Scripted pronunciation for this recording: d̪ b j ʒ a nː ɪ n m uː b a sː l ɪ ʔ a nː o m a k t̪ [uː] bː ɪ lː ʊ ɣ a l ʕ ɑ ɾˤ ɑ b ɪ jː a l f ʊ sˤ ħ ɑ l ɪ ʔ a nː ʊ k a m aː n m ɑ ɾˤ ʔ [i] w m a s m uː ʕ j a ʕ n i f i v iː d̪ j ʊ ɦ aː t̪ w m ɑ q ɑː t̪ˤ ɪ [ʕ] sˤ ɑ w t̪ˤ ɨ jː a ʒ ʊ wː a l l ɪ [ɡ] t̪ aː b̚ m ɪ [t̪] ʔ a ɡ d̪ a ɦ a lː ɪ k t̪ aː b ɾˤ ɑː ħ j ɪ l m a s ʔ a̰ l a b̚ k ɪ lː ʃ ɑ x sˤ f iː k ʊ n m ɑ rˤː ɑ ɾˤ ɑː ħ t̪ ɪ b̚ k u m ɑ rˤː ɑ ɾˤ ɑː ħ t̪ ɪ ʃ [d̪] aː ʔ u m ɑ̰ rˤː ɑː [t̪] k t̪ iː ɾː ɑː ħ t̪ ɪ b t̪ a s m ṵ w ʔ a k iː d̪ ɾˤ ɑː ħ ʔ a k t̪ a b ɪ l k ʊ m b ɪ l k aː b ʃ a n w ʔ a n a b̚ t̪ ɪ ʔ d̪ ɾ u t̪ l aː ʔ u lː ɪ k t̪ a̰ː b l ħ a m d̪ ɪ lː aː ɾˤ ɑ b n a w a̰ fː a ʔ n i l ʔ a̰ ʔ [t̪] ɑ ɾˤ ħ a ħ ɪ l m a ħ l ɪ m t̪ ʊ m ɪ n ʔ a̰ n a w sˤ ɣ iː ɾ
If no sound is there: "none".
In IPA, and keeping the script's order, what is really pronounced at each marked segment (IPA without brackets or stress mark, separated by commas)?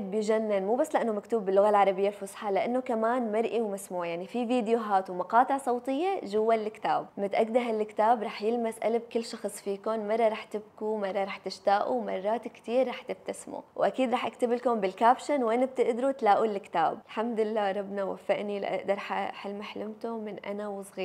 uː, i, ʕ, k, t̪, t̪, t̪, d̪